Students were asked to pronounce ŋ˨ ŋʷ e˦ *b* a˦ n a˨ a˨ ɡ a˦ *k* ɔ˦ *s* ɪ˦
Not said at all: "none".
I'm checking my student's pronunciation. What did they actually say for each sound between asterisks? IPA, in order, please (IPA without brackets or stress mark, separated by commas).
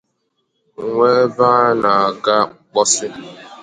b, k͡p, s